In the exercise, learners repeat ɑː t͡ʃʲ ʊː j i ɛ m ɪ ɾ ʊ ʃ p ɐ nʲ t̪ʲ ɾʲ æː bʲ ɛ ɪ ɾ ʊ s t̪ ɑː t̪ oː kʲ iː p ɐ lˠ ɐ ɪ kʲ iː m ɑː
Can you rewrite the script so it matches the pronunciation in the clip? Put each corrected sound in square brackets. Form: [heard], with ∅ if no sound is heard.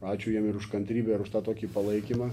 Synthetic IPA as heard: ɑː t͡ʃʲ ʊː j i ɛ m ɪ ɾ ʊ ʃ [k] ɐ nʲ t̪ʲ ɾʲ [iː] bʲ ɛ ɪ ɾ ʊ [ʃ] t̪ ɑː t̪ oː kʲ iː p ɐ lˠ ɐ ɪ kʲ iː m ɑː